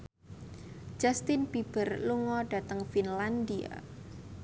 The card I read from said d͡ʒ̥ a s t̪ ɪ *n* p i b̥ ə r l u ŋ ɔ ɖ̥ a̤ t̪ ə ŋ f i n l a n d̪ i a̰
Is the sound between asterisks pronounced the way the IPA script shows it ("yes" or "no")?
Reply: yes